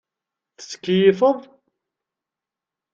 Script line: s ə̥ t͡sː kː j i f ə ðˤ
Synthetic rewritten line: θ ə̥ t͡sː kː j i f ə ðˤ